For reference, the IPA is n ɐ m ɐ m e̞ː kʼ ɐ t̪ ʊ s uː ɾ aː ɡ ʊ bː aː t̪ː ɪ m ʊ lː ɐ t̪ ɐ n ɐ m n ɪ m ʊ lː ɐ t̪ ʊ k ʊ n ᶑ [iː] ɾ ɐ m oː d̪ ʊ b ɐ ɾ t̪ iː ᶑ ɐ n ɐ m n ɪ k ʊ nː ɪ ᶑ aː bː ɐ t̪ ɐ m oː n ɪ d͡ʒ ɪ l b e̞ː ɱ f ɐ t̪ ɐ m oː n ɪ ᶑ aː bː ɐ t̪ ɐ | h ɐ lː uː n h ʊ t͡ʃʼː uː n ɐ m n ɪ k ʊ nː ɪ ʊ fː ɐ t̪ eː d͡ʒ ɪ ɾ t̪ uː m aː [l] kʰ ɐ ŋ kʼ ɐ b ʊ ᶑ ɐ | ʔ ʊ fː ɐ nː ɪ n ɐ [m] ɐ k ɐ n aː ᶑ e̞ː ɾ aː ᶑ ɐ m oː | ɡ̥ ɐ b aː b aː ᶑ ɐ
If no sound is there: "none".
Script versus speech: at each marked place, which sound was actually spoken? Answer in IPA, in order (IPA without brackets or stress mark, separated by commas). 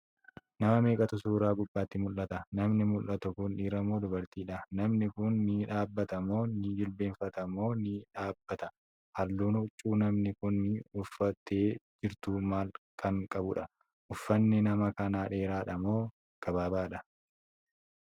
iː, l, m